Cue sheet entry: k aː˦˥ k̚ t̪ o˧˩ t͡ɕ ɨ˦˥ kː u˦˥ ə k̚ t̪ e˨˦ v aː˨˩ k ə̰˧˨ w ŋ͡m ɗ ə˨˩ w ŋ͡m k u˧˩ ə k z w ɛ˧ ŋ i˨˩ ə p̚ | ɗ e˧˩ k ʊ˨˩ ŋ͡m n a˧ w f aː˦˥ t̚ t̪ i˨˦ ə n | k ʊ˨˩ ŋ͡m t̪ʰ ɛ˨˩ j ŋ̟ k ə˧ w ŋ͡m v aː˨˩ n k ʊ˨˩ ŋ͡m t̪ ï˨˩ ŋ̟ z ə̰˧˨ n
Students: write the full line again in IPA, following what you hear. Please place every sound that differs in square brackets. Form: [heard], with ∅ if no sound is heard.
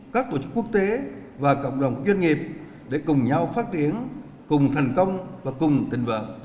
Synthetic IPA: k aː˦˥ k̚ t̪ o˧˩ t͡ɕ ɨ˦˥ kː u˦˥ ə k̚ t̪ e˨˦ v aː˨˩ k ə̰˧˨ w ŋ͡m ɗ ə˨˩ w ŋ͡m k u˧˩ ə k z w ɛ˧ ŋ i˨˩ ə p̚ | ɗ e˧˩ k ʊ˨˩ ŋ͡m [ɲ] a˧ w f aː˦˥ t̚ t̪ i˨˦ ə n | k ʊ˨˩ ŋ͡m t̪ʰ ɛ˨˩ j ŋ̟ k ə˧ w ŋ͡m v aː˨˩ [∅] k ʊ˨˩ ŋ͡m t̪ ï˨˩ ŋ̟ [v] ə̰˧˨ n

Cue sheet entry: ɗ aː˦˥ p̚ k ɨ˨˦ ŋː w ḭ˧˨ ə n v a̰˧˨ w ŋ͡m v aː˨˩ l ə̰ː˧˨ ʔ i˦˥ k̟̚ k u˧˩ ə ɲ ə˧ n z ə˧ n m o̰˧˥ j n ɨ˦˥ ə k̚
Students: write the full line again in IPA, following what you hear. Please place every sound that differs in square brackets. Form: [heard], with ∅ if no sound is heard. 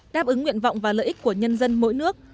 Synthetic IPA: ɗ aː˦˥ p̚ [ʔ] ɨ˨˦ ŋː w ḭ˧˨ ə n v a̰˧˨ w ŋ͡m v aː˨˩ l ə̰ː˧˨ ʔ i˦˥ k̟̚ k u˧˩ ə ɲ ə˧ n z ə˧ n m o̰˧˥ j n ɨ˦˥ ə k̚

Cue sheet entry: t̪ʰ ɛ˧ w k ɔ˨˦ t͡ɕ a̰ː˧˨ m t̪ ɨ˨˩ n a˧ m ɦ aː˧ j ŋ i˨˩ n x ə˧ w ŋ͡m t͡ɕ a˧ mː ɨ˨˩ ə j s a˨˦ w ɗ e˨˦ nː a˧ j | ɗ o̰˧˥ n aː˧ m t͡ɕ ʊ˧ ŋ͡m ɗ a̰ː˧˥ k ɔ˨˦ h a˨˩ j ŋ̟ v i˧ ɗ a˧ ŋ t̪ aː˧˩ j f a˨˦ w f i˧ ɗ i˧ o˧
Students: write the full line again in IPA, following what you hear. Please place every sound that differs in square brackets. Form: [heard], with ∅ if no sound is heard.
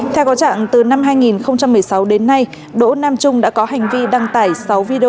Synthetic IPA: t̪ʰ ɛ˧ w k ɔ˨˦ t͡ɕ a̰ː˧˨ [ŋ] t̪ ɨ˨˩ n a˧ m ɦ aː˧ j ŋ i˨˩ n x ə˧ w ŋ͡m t͡ɕ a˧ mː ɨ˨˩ ə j s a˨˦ w ɗ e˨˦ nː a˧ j | ɗ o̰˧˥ n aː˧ m t͡ɕ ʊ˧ ŋ͡m ɗ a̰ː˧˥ k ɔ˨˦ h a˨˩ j ŋ̟ v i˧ ɗ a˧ ŋ t̪ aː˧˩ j [s] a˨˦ w [v] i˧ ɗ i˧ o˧

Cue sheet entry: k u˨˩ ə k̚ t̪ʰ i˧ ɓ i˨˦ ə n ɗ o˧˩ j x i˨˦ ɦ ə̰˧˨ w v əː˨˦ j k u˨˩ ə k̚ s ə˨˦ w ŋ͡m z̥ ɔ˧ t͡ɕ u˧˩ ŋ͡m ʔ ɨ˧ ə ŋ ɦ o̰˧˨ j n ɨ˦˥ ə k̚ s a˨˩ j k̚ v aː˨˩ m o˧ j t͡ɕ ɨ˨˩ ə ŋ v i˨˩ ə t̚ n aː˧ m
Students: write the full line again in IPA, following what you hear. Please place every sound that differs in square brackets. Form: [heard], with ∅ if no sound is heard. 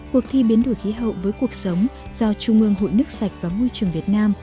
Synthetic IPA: k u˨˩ ə k̚ t̪ʰ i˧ ɓ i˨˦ ə n ɗ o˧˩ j x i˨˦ ɦ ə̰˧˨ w v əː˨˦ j k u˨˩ ə k̚ s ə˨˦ w ŋ͡m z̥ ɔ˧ t͡ɕ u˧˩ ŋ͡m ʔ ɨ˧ ə ŋ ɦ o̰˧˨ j n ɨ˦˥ ə k̚ s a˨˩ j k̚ v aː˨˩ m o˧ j t͡ɕ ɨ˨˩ ə ŋ v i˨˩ ə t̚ n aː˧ m

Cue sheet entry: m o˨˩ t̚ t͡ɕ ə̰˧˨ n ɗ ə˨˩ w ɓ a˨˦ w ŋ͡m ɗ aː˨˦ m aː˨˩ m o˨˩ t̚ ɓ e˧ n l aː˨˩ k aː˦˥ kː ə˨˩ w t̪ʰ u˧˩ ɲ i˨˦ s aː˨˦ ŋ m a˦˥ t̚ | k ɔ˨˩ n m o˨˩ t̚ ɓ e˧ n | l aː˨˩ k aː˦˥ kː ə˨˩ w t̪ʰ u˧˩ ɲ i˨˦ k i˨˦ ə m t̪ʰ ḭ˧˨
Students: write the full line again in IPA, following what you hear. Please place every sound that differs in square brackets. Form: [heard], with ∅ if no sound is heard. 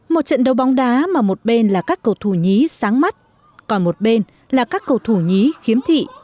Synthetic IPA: m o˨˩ t̚ t͡ɕ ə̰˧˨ n ɗ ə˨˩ w ɓ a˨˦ w ŋ͡m ɗ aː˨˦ m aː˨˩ m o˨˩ t̚ ɓ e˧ n l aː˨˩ k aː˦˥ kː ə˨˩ w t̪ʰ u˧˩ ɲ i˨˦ s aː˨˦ ŋ m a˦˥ t̚ | k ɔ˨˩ n m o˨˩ t̚ ɓ e˧ n | l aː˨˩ k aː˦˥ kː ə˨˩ w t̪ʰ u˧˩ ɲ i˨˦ [x] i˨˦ ə m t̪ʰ ḭ˧˨

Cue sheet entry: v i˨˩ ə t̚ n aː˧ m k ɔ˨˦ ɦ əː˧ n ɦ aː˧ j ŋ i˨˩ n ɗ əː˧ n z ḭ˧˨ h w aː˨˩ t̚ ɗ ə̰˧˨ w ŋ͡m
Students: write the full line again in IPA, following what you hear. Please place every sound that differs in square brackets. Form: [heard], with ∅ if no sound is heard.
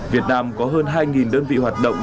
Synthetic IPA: v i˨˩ ə t̚ n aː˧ m k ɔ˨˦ ɦ əː˧ n ɦ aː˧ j ŋ i˨˩ n ɗ əː˧ n [v] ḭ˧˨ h w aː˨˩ t̚ ɗ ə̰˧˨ w ŋ͡m

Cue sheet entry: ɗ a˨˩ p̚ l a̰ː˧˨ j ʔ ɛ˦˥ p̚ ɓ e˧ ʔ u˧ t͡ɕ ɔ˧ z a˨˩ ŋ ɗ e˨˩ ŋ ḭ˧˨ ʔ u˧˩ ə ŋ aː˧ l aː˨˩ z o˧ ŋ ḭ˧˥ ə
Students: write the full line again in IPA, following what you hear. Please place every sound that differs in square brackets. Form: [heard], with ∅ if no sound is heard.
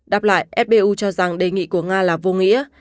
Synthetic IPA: ɗ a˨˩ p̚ l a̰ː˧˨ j ʔ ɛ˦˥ p̚ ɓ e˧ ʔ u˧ t͡ɕ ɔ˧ z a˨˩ ŋ ɗ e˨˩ ŋ ḭ˧˨ [k] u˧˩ ə ŋ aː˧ l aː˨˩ [v] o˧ ŋ ḭ˧˥ ə

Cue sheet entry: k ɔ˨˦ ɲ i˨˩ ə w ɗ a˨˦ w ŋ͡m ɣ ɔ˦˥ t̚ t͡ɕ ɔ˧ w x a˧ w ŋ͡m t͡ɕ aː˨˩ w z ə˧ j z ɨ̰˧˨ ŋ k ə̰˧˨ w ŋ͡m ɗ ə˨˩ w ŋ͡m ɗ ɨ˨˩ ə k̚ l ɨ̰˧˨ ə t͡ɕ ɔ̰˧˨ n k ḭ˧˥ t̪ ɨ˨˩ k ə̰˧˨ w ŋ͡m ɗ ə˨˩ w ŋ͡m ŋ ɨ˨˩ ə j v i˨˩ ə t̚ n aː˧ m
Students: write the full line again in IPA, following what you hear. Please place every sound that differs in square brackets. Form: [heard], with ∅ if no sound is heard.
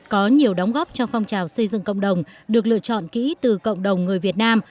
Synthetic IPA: k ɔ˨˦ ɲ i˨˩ ə w ɗ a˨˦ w ŋ͡m ɣ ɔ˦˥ [p̚] t͡ɕ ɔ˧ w [f] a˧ w ŋ͡m t͡ɕ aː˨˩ w [s] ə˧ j z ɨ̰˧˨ ŋ k ə̰˧˨ w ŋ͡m ɗ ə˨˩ w ŋ͡m ɗ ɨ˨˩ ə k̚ l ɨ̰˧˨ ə t͡ɕ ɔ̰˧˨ n k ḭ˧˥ t̪ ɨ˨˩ k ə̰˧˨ w ŋ͡m ɗ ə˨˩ w ŋ͡m ŋ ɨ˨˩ ə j v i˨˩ ə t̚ n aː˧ m

